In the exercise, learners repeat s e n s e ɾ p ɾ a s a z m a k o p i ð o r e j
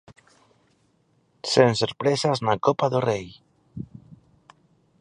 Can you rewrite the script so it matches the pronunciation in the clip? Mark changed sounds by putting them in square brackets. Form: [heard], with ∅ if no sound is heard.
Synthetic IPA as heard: s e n s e ɾ p ɾ [e] s a z [n] a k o p [a] ð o r e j